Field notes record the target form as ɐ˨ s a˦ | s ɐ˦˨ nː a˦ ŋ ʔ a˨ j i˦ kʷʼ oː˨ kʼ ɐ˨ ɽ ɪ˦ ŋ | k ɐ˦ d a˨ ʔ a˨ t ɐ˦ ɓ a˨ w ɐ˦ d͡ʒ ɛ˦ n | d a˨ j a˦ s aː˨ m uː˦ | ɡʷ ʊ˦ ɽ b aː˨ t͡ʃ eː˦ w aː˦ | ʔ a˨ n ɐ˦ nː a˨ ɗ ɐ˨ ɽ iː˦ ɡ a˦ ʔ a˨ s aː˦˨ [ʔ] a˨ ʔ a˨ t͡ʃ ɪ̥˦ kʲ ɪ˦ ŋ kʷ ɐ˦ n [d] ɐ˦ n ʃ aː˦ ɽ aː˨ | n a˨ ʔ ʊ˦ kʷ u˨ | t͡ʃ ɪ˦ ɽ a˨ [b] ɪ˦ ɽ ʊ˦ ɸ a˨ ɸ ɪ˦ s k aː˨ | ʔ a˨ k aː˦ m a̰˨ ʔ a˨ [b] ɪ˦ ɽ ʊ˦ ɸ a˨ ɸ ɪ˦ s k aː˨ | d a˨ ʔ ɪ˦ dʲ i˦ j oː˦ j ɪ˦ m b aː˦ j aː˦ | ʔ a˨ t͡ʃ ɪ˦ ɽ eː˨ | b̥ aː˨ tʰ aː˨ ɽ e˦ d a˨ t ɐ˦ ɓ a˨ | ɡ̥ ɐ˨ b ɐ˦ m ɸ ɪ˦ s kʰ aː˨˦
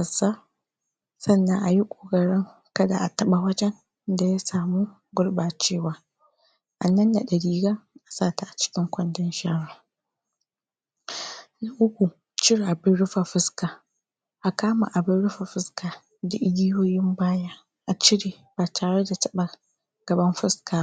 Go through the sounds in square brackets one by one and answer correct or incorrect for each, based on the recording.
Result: incorrect: t, correct, correct, correct

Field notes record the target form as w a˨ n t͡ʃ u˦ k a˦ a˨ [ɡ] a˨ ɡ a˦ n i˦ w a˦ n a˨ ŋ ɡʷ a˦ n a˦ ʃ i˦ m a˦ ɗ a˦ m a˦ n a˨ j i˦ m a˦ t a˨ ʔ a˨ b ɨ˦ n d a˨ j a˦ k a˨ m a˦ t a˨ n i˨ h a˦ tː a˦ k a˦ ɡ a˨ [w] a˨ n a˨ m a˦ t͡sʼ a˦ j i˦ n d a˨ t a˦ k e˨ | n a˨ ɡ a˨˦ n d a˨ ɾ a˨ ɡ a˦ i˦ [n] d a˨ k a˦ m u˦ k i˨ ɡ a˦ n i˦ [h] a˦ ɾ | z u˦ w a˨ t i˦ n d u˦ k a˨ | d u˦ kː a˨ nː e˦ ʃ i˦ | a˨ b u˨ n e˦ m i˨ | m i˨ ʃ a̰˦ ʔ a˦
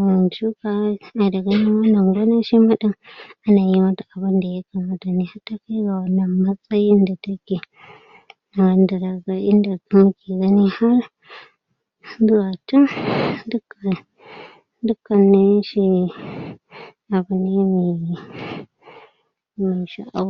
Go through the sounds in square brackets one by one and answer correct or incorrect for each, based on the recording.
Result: incorrect: d, correct, correct, correct

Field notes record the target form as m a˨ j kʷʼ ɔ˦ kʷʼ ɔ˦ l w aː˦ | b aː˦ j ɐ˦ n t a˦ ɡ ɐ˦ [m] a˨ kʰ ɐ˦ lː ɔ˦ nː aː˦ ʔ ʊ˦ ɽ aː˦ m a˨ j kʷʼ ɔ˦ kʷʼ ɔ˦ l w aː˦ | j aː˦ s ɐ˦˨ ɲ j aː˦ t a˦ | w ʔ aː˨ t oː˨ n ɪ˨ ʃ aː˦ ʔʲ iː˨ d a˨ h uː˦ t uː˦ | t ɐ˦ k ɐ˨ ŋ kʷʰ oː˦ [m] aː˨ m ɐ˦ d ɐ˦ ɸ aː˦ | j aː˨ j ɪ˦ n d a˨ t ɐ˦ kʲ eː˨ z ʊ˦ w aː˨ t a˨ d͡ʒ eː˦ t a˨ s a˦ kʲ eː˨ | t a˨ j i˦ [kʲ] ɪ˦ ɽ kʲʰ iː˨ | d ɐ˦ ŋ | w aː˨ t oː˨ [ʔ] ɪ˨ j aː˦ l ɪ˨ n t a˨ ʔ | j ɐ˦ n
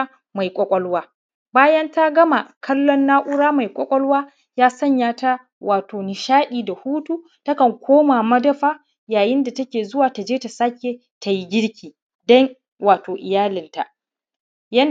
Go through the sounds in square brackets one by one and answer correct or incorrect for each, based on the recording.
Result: correct, correct, incorrect: ɡʲ, correct

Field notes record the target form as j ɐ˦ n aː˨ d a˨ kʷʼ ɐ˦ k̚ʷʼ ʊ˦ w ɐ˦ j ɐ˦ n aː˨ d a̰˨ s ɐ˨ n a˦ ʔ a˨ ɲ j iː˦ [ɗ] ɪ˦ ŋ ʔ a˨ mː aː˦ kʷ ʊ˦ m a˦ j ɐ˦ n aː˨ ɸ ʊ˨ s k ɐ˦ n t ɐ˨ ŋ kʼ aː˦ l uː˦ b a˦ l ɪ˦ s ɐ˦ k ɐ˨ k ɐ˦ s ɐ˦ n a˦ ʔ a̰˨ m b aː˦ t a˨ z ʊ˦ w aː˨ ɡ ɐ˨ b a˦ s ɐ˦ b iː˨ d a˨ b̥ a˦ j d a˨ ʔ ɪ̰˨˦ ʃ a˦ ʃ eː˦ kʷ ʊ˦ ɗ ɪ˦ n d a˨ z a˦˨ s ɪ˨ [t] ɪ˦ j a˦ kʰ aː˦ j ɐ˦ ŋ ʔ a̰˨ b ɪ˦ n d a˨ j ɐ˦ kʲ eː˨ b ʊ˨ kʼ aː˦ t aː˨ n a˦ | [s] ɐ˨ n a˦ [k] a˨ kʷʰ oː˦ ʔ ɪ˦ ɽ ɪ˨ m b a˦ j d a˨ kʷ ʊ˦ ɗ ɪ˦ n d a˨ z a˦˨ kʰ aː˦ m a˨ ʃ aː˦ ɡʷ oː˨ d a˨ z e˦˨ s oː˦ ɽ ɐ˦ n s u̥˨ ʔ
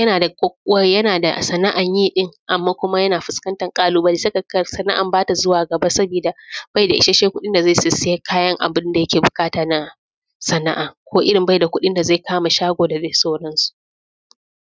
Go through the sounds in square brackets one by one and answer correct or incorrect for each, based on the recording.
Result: correct, incorrect: s, correct, incorrect: ʔ

